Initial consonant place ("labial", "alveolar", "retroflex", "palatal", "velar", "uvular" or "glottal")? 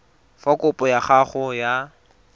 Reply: labial